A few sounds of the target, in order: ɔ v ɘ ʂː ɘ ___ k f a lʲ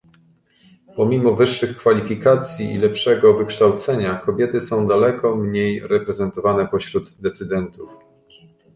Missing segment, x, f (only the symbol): x